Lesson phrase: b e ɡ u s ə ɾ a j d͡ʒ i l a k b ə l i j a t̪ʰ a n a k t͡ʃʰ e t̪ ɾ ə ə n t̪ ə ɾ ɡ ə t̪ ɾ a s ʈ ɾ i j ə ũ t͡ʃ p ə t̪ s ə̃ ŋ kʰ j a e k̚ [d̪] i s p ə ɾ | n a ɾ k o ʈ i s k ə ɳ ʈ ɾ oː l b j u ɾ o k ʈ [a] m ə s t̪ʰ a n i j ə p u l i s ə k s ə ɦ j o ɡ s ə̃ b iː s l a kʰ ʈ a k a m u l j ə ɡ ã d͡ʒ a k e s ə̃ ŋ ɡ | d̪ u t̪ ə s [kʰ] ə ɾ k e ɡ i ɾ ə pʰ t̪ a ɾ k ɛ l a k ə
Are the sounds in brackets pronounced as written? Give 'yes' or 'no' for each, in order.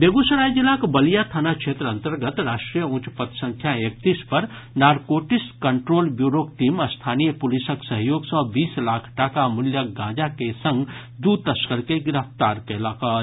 no, no, no

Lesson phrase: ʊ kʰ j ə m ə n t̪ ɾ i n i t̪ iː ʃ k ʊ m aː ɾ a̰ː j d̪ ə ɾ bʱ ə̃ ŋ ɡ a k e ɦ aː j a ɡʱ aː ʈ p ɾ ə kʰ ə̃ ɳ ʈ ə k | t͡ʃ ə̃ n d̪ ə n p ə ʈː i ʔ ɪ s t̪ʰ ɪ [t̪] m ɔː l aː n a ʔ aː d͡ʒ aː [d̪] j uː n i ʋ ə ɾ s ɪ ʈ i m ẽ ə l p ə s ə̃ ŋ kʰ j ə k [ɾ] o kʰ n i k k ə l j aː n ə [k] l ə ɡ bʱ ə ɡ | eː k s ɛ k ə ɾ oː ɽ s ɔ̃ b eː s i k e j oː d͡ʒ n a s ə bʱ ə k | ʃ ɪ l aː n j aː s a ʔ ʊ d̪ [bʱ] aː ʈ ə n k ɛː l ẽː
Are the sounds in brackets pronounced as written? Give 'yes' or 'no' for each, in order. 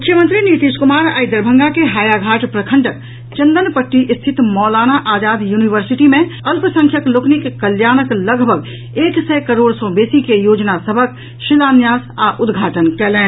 yes, yes, no, yes, no

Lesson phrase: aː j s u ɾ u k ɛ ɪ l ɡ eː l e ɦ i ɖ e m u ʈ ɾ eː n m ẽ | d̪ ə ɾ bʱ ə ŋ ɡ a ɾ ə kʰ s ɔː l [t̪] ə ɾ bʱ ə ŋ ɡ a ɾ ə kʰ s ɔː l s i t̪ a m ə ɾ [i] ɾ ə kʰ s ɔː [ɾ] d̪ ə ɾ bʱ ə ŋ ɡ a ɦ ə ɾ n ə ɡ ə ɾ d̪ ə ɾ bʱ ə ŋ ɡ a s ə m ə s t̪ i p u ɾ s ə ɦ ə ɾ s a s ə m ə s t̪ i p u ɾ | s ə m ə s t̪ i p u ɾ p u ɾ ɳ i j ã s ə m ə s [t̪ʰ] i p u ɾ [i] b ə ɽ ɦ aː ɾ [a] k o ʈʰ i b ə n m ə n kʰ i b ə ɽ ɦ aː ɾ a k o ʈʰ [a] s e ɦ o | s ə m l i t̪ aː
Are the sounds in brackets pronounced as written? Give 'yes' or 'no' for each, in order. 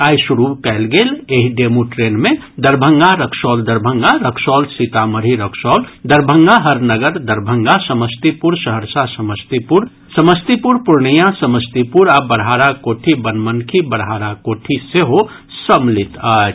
no, yes, no, no, no, yes, no

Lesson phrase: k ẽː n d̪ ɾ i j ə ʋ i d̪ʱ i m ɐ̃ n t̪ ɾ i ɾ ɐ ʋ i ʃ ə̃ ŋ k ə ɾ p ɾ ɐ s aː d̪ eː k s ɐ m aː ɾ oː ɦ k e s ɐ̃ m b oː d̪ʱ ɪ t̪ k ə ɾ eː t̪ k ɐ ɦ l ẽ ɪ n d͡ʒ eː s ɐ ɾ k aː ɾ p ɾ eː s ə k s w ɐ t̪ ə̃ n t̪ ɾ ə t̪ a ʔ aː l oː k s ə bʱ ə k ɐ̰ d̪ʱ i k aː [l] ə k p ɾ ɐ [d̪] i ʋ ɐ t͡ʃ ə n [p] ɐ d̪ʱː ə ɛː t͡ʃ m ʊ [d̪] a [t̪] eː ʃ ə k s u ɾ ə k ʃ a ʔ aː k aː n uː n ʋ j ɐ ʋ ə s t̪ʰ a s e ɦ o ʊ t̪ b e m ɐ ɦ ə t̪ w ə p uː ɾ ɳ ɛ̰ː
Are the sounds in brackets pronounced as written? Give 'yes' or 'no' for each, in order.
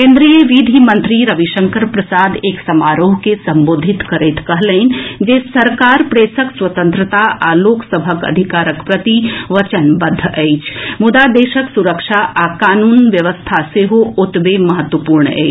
no, no, no, yes, no

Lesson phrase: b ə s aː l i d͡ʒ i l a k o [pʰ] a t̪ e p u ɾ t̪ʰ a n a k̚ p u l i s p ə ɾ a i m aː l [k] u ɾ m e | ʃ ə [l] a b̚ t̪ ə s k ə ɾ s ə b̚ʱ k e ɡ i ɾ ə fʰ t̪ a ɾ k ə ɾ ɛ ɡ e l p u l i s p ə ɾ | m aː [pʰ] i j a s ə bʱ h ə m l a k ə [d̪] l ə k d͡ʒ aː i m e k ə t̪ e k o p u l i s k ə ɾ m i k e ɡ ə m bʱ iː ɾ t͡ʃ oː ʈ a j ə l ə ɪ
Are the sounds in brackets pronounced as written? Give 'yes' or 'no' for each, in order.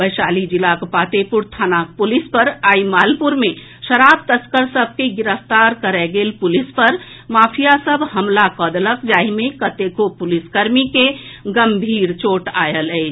no, no, no, yes, yes

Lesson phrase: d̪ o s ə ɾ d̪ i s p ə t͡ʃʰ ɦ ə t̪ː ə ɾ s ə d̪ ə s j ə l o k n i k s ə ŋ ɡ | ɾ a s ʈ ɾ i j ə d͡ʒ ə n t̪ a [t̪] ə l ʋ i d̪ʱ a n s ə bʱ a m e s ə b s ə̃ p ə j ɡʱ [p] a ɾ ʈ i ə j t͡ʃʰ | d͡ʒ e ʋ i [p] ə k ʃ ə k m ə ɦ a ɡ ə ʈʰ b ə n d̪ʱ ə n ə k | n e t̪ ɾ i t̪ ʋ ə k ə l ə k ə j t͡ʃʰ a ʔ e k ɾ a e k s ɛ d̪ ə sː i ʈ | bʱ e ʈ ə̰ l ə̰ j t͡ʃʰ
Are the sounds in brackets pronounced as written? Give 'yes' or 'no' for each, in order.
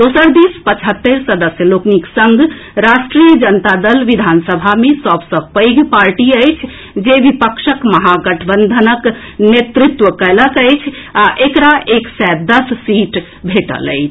no, yes, yes

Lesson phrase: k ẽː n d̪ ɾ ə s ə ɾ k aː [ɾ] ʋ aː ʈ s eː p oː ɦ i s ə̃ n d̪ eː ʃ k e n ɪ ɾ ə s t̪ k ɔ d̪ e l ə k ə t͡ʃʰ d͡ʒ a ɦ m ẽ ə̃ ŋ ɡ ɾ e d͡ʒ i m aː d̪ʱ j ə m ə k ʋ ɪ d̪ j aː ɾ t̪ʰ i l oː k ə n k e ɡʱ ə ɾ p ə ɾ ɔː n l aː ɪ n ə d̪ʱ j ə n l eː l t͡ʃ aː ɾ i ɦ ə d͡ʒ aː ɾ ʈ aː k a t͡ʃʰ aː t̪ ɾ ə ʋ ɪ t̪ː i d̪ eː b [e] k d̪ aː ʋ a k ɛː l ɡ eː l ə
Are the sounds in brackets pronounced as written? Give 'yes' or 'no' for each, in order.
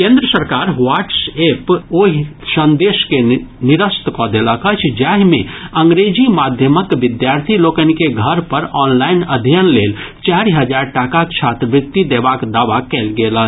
yes, no

